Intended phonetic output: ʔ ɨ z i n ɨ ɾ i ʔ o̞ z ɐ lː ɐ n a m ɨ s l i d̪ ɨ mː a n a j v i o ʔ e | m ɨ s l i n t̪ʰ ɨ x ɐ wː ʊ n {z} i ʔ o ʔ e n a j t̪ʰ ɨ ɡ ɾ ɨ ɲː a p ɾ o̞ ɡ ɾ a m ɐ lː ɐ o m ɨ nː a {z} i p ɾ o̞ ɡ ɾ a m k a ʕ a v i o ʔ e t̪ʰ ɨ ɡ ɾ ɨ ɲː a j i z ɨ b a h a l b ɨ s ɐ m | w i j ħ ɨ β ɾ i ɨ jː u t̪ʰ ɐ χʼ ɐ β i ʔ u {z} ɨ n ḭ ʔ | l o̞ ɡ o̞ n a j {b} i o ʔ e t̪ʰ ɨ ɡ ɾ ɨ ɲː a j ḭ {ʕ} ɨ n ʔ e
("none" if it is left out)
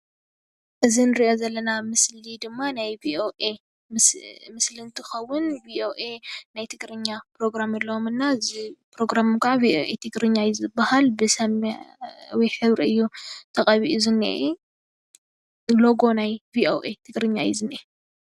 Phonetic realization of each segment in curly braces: v, z, z, v, z

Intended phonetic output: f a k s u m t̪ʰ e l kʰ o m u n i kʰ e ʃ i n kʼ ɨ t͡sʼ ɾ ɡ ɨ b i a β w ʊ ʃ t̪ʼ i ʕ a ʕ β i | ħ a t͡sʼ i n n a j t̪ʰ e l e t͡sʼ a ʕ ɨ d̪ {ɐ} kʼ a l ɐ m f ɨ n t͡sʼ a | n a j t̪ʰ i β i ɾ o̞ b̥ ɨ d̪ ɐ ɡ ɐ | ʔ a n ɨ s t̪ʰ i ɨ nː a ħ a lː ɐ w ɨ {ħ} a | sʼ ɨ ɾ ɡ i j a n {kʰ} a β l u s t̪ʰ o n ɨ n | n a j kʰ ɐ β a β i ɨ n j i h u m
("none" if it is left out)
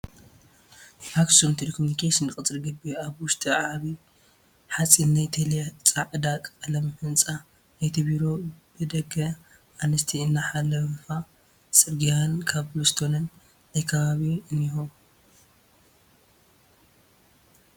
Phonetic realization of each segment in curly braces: a, f, kʰ

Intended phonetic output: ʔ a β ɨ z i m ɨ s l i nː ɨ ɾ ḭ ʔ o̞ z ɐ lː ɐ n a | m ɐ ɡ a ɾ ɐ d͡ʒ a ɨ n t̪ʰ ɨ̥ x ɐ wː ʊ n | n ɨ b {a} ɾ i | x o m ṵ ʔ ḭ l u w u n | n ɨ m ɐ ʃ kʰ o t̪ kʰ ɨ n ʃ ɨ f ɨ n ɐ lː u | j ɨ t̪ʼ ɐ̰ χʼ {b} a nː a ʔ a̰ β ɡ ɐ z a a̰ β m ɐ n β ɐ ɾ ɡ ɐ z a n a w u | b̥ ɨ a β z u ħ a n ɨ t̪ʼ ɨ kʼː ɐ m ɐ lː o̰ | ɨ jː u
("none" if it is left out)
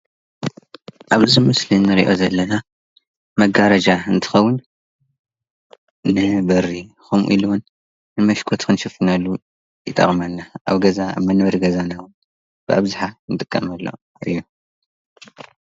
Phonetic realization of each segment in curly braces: ɐ, m

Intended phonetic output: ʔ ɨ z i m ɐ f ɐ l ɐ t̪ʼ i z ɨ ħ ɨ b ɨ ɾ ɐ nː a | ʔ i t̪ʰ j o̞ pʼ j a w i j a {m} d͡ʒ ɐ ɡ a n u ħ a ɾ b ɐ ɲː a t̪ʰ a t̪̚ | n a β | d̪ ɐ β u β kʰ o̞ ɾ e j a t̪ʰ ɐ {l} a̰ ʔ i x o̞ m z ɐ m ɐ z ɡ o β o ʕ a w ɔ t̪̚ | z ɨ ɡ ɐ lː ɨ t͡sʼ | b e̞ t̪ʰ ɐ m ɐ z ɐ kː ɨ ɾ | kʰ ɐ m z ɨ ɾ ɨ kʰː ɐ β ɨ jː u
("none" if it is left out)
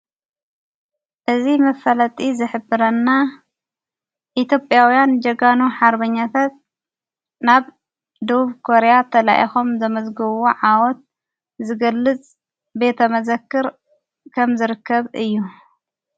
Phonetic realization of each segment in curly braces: n, l

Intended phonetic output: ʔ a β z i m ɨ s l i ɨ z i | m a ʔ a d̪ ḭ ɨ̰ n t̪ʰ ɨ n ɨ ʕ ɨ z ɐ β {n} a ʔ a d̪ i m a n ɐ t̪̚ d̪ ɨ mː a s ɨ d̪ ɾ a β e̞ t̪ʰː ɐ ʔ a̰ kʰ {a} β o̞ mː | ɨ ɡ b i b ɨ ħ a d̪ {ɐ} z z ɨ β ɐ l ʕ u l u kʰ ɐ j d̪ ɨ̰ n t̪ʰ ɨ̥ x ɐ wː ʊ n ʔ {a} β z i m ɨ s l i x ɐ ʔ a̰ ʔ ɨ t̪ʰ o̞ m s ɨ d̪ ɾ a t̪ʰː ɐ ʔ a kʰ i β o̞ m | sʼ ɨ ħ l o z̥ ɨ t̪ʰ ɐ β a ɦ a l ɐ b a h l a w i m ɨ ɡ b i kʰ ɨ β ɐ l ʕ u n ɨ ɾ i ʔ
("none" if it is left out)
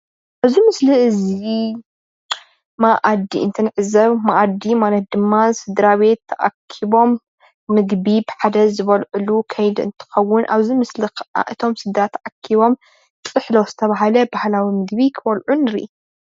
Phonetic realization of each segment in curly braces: m, i, ɐ, a

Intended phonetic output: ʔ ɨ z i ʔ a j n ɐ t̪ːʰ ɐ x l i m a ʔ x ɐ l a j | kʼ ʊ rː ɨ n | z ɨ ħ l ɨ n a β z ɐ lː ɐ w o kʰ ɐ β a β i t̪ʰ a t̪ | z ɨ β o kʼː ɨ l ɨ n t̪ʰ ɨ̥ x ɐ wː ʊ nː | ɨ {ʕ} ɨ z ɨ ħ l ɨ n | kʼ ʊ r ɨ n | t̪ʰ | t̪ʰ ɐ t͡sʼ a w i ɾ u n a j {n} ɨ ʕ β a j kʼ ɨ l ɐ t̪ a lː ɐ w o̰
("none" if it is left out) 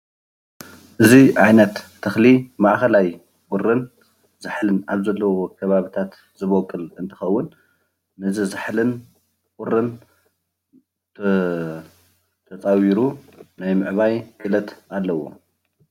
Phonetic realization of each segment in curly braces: z, m

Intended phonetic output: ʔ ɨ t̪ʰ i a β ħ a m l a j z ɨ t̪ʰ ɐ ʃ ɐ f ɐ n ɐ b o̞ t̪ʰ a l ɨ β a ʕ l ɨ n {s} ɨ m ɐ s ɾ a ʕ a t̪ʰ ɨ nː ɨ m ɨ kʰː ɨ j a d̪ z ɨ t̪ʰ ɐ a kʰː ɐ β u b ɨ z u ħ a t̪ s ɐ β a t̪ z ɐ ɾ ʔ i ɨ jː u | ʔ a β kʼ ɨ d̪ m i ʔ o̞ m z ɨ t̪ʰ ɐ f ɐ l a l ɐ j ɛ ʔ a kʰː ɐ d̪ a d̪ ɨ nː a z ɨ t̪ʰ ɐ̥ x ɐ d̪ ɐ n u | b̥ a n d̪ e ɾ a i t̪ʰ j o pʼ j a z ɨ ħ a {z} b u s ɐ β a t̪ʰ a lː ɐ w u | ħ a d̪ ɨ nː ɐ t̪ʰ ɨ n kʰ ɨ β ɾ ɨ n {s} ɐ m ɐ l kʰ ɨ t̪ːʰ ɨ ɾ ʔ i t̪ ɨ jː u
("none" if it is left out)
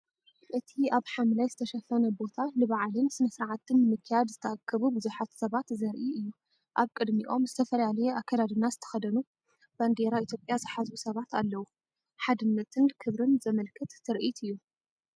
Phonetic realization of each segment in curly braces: s, z, z

